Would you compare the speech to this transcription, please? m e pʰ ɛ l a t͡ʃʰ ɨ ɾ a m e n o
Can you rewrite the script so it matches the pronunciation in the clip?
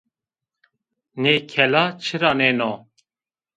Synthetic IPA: n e kʰ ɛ l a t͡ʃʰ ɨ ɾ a n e n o